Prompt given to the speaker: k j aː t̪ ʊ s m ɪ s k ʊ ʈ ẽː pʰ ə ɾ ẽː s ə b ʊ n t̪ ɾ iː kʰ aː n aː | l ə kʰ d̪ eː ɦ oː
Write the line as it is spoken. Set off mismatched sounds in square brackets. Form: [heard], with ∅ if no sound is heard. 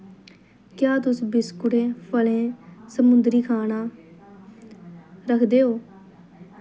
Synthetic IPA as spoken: k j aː t̪ ʊ s [b] ɪ s k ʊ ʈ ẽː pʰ ə [l] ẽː s ə [m] ʊ n [d̪] ɾ iː kʰ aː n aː | [ɾ] ə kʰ d̪ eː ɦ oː